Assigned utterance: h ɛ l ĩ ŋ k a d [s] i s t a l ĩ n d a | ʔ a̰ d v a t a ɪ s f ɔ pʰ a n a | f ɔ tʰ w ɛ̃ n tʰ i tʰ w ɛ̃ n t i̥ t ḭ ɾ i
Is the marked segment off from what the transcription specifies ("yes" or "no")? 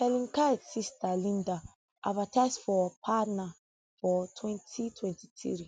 no